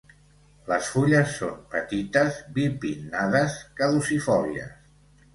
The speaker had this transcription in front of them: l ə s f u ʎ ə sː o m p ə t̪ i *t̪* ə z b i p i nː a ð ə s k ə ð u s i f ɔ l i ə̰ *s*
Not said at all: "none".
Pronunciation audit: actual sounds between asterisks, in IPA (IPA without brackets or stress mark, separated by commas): t̪, s